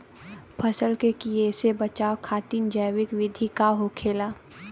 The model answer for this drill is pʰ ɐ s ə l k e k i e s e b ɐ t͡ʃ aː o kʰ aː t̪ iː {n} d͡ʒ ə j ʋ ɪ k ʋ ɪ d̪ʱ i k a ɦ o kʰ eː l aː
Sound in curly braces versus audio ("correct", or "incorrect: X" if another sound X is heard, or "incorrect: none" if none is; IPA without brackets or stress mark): correct